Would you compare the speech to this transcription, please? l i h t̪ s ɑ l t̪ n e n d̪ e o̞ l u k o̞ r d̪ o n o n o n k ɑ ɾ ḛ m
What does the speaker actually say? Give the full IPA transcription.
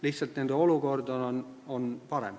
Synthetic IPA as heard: l i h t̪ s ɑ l t̪ n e n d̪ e o̞ l u k o̞ r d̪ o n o n o n p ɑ ɾ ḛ m